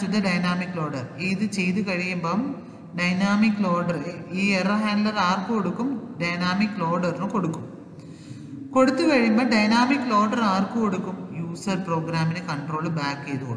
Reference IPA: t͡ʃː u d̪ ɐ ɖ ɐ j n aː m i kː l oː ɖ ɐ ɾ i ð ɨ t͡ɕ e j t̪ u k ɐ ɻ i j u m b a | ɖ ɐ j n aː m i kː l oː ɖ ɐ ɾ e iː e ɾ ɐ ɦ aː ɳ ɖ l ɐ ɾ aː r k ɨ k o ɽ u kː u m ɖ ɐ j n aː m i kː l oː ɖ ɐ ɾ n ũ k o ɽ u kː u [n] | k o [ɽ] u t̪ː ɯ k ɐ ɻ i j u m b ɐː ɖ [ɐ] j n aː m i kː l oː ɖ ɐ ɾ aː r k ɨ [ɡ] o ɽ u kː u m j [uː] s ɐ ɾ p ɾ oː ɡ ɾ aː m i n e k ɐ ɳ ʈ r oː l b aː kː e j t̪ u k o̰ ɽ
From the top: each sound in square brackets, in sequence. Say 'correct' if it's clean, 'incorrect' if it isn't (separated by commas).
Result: incorrect, correct, correct, incorrect, correct